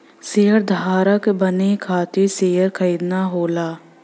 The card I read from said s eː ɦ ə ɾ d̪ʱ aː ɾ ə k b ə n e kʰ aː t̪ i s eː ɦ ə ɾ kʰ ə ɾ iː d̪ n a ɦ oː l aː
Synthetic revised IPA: s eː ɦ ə ɾ d̪ʱ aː ɾ ə k b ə n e kʰ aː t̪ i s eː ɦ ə ɾ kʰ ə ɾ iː d̪ n a ɦ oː l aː

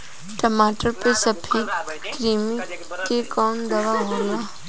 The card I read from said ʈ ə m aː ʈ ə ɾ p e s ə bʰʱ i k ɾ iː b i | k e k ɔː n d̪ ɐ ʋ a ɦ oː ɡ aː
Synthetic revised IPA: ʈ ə m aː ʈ ə ɾ p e s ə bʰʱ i k ɾ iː m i | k e k ɔː n d̪ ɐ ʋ a ɦ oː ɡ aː

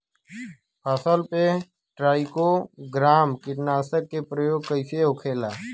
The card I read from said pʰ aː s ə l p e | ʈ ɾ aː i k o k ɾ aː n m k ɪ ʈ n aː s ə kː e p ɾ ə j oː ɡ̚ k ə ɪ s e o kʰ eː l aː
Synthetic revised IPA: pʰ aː s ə l p e | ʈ ɾ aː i k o ɡ ɾ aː m k ɪ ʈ n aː s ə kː e p ɾ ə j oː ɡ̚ k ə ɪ s e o kʰ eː l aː

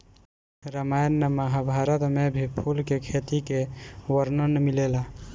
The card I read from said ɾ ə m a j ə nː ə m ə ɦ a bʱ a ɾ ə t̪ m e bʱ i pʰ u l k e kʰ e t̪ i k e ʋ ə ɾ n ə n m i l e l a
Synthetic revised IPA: ɾ ə m a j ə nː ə m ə ɦ a bʱ a ɾ ə t̪ m e bʱ i pʰ u l k e kʰ e t̪ i k e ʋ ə ɾ n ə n m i l e l a

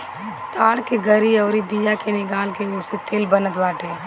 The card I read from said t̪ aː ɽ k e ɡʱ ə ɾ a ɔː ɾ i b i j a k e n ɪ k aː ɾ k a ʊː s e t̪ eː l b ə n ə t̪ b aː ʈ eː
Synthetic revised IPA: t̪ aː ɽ k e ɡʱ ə ɾ i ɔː ɾ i b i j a k e n ɪ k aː l k e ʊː s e t̪ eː l b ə n ə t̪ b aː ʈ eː

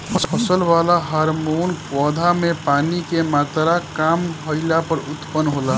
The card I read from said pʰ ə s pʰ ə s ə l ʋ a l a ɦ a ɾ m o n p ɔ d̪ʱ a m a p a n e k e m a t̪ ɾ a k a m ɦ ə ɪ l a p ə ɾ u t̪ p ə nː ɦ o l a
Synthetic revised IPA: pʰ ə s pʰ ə s ə l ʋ a l a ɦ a ɾ m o n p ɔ d̪ʱ a m e p a n i k e m a t̪ ɾ a k a m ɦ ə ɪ l a p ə ɾ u t̪ p ə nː ɦ o l a

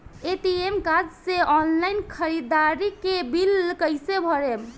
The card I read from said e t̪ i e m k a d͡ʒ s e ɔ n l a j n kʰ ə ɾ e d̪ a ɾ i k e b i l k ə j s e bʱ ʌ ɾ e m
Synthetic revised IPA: e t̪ i e m k a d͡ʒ s e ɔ n l a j n kʰ ə ɾ i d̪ a ɾ i k e b i l k ə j s e bʱ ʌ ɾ e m

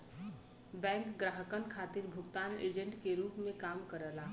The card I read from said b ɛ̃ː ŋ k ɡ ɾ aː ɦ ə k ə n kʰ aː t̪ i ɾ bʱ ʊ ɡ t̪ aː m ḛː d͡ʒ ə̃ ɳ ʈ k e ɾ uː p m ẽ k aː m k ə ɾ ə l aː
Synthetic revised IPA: b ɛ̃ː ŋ k ɡ ɾ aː ɦ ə k ə n kʰ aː t̪ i ɾ bʱ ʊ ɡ t̪ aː n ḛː d͡ʒ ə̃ ɳ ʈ k e ɾ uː p m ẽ k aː m k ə ɾ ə l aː

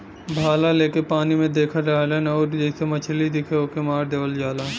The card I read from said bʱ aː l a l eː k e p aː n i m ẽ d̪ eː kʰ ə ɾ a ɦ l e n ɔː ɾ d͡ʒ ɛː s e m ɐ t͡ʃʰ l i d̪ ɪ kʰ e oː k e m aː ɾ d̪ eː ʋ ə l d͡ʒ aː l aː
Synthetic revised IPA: bʱ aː l a l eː k e p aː n i m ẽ d̪ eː kʰ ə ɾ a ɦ l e n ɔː ɾ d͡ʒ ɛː s e m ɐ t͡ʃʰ l i d̪ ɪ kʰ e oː k e m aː ɾ d̪ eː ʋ ə l d͡ʒ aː l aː

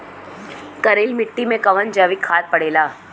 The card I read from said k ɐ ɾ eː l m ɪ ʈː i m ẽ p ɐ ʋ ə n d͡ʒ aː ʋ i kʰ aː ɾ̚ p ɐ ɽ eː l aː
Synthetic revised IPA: k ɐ ɾ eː l m ɪ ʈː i m ẽ k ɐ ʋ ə n d͡ʒ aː ʋ i kʰ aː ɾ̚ p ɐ ɽ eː l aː

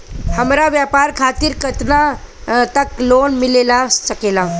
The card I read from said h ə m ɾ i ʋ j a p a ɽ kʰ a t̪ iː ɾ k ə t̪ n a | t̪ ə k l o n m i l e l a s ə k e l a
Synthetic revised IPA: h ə m ɾ a ʋ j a p a ɾ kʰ a t̪ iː ɾ k ə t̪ n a | t̪ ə k l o n m i l e l a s ə k e l a

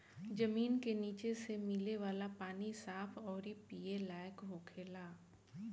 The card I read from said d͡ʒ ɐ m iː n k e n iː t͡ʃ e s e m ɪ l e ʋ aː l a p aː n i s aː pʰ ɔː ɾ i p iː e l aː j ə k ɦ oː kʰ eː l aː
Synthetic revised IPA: d͡ʒ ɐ m iː n k e n iː t͡ʃ e s e m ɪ l e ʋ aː l a p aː n i s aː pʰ ɔː ɾ i p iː e l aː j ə k ɦ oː kʰ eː l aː

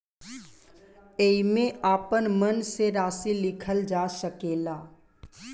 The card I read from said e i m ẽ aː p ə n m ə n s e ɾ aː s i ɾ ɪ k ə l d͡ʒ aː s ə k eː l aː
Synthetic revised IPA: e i m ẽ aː p ə n m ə n s e ɾ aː s i l ɪ kʰ ə l d͡ʒ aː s ə k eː l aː

